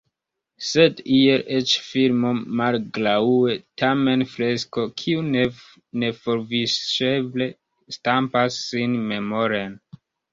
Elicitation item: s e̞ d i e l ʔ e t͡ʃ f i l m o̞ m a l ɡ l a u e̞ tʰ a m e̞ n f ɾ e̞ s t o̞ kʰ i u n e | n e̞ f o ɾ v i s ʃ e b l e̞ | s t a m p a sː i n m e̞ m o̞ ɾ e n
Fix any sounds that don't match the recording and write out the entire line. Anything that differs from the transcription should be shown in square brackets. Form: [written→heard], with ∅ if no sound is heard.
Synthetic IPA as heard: s e̞ d i e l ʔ e t͡ʃ f i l m o̞ m a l ɡ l a u e̞ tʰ a m e̞ n f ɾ e̞ s [t→k] o̞ kʰ i u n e | n e̞ f o ɾ v i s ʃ e b l e̞ | s t a m p a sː i n m e̞ m o̞ ɾ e n